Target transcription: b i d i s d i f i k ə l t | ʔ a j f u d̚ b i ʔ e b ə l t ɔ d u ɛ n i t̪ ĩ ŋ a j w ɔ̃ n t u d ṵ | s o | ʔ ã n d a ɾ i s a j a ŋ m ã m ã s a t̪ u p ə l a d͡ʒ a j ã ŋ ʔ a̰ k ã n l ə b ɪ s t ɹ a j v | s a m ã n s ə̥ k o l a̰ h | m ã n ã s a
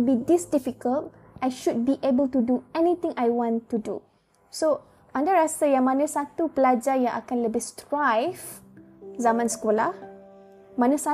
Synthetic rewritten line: b i d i s d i f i k ə l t | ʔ a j ʃ u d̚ b i ʔ e b ə l t u d u ɛ n i t̪ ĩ ŋ a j w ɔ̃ n t u d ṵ | s o | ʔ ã n d a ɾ a s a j a ŋ m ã n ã s a t̪ u p ə l a d͡ʒ a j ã ŋ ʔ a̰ k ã n l ə b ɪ s t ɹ a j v | z a m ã n s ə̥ k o l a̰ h | m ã n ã s a